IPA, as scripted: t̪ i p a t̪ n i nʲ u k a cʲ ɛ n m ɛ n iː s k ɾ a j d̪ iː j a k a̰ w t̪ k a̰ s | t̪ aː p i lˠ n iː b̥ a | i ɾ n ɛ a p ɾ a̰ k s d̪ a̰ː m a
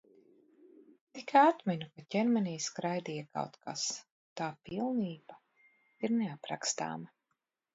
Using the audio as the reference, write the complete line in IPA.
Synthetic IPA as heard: t̪ i k a t̪ m i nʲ u k a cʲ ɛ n m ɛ n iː s k ɾ a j d̪ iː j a k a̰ w t̪ k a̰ s | t̪ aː p i lˠ n iː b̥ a | i ɾ n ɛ a p ɾ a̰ k s t̪ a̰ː m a